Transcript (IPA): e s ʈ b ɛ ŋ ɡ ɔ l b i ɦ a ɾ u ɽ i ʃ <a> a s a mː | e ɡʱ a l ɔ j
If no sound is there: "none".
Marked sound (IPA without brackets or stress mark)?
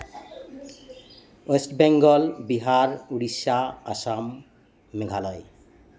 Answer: a